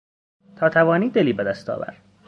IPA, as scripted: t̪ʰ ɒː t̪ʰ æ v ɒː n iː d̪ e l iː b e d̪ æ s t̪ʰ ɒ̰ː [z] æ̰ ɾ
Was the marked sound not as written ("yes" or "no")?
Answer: yes